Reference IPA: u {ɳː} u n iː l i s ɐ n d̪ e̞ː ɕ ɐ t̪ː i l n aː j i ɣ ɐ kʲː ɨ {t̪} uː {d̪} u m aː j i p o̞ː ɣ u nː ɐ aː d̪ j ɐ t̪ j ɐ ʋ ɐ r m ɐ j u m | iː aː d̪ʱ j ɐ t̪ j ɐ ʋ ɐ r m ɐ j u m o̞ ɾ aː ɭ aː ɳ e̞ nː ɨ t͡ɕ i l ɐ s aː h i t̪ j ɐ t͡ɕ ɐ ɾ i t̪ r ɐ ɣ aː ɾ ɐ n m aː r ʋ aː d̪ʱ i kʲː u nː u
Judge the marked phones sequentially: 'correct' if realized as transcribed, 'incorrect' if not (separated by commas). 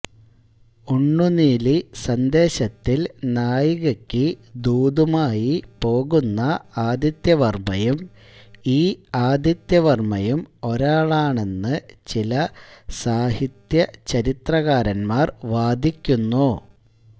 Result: correct, incorrect, correct